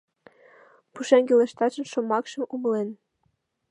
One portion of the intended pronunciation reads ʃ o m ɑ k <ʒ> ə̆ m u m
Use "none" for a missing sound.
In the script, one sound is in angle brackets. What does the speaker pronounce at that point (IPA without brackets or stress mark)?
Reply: ʃ